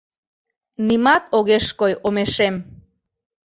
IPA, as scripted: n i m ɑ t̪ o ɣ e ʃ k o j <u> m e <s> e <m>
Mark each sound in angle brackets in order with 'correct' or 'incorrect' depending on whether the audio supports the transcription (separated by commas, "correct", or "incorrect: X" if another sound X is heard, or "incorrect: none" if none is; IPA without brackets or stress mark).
incorrect: o, incorrect: ʃ, correct